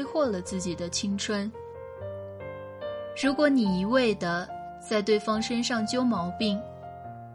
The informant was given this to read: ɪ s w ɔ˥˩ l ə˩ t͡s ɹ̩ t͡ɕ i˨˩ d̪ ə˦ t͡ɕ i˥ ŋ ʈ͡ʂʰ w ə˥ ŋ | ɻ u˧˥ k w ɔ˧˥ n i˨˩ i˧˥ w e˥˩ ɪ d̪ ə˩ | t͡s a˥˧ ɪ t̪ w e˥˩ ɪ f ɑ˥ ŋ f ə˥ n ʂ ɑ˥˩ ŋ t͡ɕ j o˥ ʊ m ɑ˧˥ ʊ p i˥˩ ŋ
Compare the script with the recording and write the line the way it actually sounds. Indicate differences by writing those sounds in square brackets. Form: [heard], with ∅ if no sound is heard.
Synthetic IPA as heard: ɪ [x] w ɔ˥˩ l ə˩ t͡s ɹ̩ t͡ɕ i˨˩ d̪ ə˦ [t͡ɕʰ] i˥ ŋ ʈ͡ʂʰ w ə˥ [n] | ɻ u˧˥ k w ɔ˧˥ n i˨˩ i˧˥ w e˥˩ ɪ d̪ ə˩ | t͡s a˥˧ ɪ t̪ w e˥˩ ɪ f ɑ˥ ŋ [ʂ] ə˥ n ʂ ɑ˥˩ ŋ t͡ɕ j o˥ ʊ m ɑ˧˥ ʊ p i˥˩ ŋ